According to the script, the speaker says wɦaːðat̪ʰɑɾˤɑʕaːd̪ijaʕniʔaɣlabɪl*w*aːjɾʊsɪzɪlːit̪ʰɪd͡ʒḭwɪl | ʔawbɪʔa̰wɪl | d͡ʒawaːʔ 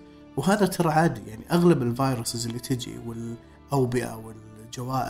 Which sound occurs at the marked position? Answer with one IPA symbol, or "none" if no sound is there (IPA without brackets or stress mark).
v